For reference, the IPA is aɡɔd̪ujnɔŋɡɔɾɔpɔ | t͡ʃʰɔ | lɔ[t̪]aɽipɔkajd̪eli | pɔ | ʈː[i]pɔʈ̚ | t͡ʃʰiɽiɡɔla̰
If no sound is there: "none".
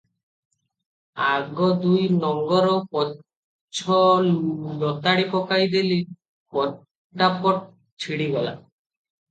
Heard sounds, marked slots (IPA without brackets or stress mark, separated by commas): t̪, a